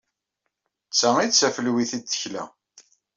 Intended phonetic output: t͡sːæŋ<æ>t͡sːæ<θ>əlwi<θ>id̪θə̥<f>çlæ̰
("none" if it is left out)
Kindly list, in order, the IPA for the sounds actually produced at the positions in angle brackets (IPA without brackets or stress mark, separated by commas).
i, f, θ, none